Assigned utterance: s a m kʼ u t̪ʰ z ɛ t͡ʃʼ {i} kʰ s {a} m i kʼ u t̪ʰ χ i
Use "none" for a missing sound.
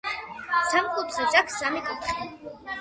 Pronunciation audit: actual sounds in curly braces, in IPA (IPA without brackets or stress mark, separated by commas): a, a